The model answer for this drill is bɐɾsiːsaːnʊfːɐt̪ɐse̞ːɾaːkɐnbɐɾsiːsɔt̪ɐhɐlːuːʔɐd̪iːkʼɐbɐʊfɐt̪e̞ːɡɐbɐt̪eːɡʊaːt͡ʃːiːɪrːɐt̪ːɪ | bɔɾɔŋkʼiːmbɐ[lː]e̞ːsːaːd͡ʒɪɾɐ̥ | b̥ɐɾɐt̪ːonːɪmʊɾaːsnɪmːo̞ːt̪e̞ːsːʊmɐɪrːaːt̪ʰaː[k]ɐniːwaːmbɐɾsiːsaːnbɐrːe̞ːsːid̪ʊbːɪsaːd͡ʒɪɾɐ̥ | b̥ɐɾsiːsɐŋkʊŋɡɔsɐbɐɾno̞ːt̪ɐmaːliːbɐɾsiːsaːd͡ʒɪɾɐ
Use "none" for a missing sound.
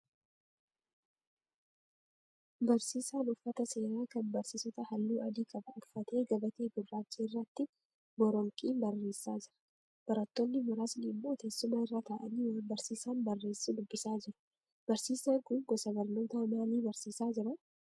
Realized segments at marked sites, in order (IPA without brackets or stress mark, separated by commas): rː, ʔ